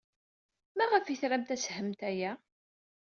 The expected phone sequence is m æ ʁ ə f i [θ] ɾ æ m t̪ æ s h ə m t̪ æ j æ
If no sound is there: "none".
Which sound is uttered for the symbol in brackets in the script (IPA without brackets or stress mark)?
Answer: θ